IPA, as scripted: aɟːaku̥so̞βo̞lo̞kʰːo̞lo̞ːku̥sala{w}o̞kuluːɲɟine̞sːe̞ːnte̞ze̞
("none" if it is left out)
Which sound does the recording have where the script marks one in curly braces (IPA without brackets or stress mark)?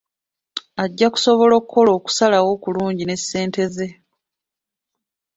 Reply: w